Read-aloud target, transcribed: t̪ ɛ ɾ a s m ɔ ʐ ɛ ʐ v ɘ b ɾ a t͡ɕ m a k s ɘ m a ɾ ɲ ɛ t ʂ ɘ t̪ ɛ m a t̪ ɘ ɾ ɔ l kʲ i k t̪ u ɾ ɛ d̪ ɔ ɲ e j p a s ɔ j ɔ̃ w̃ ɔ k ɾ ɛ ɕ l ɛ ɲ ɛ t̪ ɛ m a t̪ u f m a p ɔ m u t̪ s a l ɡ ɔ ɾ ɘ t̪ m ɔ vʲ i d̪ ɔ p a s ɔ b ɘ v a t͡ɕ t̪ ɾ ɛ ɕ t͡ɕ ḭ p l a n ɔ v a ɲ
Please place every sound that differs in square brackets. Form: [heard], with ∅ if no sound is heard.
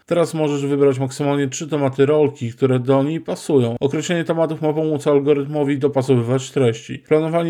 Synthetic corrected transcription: t̪ ɛ ɾ a s m ɔ ʐ ɛ ʐ v ɘ b ɾ a t͡ɕ m a k s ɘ m a [l] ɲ ɛ t ʂ ɘ t̪ ɛ m a t̪ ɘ ɾ ɔ l kʲ i k t̪ u ɾ ɛ d̪ ɔ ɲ e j p a s [u] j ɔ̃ w̃ ɔ k ɾ ɛ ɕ l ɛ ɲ ɛ t̪ ɛ m a t̪ u f m a p ɔ m u t̪ s a l ɡ ɔ ɾ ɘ t̪ m ɔ vʲ i d̪ ɔ p a s ɔ [v] ɘ v a t͡ɕ t̪ ɾ ɛ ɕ t͡ɕ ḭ p l a n ɔ v a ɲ